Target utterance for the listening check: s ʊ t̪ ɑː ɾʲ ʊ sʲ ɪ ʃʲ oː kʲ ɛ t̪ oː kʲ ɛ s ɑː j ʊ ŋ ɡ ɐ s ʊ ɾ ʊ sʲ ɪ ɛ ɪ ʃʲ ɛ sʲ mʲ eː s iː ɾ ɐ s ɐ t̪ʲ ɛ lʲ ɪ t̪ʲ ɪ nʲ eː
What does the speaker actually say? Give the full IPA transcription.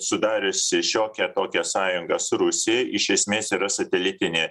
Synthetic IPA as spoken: s ʊ d̪ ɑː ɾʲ ʊ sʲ ɪ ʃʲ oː kʲ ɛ t̪ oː kʲ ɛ s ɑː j ʊ ŋ ɡ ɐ s ʊ ɾ ʊ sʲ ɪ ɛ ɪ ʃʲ ɛ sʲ mʲ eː s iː ɾ ɐ s ɐ t̪ʲ ɛ lʲ ɪ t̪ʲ ɪ nʲ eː